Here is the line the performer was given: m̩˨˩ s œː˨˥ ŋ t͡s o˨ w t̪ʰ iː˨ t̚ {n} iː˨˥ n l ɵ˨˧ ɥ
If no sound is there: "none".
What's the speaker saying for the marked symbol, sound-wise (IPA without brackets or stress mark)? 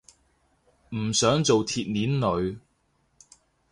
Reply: n